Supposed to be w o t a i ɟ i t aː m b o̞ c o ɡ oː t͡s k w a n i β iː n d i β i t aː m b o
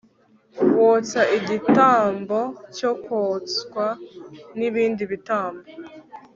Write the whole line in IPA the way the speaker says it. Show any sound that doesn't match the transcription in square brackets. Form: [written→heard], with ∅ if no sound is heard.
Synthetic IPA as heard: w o [t→t͡s] a i ɟ i t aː m b o̞ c o [ɡ→k] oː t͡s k w a n i β iː n d i β i t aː m b o